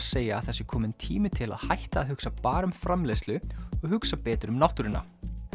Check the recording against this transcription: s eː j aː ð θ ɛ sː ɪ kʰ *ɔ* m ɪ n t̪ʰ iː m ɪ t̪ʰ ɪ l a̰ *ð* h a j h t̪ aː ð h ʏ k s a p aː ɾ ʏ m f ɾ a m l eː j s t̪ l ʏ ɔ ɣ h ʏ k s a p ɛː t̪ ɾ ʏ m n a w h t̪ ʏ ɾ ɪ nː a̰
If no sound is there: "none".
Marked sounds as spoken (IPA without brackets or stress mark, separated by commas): ɔː, ð